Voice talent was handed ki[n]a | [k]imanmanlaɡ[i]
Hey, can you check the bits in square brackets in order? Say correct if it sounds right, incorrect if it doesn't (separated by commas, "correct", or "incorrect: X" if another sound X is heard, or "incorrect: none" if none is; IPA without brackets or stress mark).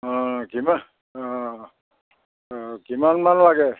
incorrect: m, correct, incorrect: ɛ